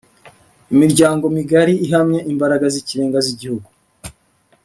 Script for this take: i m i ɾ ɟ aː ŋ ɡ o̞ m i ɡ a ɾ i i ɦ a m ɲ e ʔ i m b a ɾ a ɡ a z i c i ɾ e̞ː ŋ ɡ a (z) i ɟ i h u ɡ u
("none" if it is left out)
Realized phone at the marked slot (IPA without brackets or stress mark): z